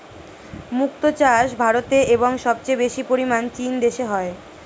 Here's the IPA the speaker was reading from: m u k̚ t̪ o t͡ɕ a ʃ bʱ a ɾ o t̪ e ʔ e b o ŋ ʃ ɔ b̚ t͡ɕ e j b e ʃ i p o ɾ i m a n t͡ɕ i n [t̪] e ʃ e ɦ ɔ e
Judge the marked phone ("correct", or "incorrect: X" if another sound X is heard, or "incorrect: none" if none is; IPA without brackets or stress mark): incorrect: d̪